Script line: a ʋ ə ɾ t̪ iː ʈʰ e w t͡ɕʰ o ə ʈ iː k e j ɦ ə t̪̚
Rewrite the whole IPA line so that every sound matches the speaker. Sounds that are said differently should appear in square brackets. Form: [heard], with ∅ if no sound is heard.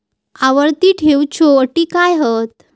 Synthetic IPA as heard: a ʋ ə ɾ t̪ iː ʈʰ e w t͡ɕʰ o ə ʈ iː k [a] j ɦ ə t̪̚